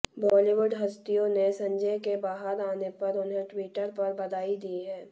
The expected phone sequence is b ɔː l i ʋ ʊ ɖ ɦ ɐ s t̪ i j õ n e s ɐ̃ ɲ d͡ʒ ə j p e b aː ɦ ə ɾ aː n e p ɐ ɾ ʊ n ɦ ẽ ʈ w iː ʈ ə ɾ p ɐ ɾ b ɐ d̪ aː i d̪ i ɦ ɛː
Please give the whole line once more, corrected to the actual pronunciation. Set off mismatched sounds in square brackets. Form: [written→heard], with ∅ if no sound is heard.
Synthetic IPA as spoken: b ɔː l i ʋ ʊ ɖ ɦ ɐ s t̪ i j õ n e s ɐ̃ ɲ d͡ʒ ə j [p→k] e b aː ɦ ə ɾ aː n e p ɐ ɾ ʊ n ɦ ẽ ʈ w iː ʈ ə ɾ p ɐ ɾ b ɐ d̪ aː i d̪ i ɦ ɛː